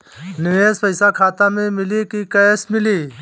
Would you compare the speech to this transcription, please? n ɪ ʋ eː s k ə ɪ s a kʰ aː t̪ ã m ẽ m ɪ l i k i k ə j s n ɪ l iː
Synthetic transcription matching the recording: n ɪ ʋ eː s p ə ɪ s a kʰ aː t̪ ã m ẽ m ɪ l i k i k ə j s m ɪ l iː

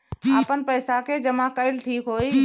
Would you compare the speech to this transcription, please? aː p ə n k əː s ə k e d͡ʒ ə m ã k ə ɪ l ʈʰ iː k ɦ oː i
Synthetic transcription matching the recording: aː p ə n p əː s a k e d͡ʒ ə m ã k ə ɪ l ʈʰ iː k ɦ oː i

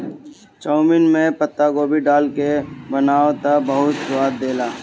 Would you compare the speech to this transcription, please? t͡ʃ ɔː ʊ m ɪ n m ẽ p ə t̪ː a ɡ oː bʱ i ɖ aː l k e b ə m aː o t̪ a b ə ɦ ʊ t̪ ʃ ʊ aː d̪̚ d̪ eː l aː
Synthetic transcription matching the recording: t͡ʃ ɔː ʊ m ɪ n m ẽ p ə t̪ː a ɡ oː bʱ i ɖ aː l k e b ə n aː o t̪ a b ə ɦ ʊ t̪ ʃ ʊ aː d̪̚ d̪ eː l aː

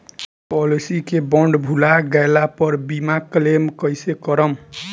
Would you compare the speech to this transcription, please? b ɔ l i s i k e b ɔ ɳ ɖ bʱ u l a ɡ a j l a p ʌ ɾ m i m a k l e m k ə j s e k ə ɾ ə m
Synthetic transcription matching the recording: p ɔ l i s i k e b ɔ ɳ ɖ bʱ u l a ɡ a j l a p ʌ ɾ b i m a k l e m k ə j s e k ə ɾ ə m

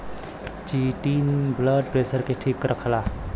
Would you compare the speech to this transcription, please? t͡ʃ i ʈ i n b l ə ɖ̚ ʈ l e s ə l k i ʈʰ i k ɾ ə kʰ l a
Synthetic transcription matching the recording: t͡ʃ i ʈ i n b l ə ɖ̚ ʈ ɾ e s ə ɾ k e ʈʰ i k ɾ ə kʰ l a

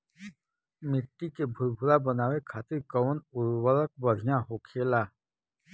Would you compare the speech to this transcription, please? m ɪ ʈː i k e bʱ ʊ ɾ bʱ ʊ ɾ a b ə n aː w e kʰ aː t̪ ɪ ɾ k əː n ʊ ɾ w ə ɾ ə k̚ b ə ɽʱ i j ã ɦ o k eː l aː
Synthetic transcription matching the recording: m ɪ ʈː i k e bʱ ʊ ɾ bʱ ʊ ɾ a b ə n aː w e kʰ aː t̪ ɪ ɾ k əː n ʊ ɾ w ə ɾ ə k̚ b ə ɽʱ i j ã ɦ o kʰ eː l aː

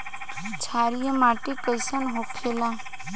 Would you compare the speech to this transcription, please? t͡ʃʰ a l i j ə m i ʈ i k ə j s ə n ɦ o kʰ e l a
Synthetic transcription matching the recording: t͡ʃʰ a ɾ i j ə m a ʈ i k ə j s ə n ɦ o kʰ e l a

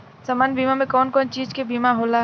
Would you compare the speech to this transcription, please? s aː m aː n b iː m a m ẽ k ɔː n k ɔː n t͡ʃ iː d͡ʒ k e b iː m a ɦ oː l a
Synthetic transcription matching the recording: s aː m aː n b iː m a m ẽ k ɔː n k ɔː n t͡ʃ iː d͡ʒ k e b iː m a ɦ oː l a

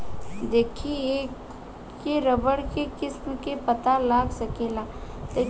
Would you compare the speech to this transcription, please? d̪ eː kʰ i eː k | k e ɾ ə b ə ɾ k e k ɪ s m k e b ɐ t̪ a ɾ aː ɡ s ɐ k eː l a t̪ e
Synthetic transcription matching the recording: d̪ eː kʰ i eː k | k e ɾ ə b ə ɽ k e k ɪ s m k e p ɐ t̪ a l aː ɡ s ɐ k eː l a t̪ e

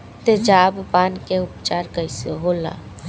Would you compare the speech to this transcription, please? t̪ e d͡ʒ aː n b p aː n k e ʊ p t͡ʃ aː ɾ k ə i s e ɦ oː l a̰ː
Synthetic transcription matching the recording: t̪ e d͡ʒ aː b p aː n k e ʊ p t͡ʃ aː ɾ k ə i s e ɦ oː l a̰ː

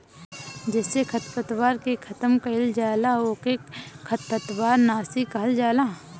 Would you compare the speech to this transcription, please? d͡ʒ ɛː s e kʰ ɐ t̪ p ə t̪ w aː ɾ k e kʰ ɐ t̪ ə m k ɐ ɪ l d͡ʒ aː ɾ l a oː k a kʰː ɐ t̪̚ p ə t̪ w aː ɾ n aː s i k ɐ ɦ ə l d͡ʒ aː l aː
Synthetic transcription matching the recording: d͡ʒ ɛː s e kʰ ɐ t̪ p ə t̪ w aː ɾ k e kʰ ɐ t̪ ə m k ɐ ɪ l d͡ʒ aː l a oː k e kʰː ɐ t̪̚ p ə t̪ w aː ɾ n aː s i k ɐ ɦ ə l d͡ʒ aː l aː

